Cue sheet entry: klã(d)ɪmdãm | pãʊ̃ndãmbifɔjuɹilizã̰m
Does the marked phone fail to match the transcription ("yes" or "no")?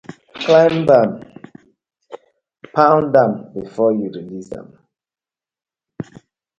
yes